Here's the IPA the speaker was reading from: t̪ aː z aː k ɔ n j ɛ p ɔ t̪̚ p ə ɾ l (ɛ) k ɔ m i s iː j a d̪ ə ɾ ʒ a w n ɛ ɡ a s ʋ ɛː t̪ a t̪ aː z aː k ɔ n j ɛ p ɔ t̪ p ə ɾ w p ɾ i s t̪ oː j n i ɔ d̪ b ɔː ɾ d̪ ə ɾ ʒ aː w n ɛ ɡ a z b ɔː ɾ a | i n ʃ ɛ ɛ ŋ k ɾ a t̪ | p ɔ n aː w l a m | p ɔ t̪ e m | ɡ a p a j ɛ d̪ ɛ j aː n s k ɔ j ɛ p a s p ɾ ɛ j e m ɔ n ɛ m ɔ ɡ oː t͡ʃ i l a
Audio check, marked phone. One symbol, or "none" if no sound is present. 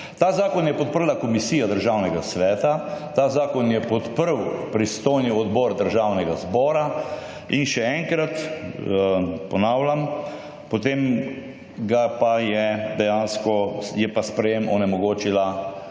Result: a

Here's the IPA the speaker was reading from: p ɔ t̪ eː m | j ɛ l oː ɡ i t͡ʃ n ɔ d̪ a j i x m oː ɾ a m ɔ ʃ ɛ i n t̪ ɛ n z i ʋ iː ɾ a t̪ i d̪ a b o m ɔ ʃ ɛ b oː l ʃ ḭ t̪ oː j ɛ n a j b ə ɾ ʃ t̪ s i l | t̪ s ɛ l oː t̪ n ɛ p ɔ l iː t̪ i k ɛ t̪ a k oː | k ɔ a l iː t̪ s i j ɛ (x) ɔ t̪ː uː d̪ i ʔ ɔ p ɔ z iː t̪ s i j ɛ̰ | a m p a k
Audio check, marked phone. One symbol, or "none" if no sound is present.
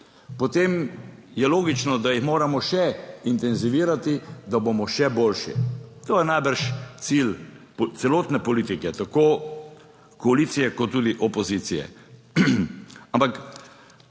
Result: k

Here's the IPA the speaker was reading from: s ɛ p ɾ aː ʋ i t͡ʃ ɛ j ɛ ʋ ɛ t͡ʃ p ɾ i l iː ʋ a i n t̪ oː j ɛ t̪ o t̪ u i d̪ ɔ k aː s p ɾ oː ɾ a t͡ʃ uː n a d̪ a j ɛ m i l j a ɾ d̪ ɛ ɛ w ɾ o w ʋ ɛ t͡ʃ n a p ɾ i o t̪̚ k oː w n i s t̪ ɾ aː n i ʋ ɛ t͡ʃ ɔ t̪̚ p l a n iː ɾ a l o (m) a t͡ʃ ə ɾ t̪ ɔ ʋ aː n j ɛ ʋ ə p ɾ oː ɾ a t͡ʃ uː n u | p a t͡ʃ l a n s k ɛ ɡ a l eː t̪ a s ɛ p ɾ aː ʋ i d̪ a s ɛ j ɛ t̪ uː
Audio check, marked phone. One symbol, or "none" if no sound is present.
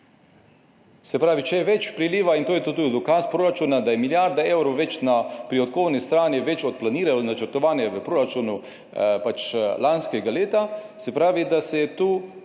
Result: n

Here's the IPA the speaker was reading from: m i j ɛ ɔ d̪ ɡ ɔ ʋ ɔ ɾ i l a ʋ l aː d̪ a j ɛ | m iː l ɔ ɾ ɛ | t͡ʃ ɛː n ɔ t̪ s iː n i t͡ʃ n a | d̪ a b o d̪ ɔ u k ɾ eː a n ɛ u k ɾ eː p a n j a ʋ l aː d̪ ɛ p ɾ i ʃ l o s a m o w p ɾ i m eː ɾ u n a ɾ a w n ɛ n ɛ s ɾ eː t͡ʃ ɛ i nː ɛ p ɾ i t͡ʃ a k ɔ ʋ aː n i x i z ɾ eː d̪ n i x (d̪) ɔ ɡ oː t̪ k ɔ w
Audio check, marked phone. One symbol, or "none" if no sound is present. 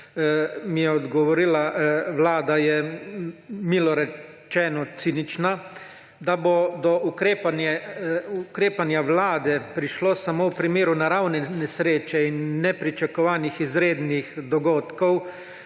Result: d̪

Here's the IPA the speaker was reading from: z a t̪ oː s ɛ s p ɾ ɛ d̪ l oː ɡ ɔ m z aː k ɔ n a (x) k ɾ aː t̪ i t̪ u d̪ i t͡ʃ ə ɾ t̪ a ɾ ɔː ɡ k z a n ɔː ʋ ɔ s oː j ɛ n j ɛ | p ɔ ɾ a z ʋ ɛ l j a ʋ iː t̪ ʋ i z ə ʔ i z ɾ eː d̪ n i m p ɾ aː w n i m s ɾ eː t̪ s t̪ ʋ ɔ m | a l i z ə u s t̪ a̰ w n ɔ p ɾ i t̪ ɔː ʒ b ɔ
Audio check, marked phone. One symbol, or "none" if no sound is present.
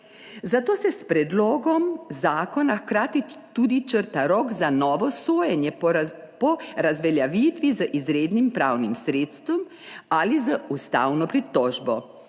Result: x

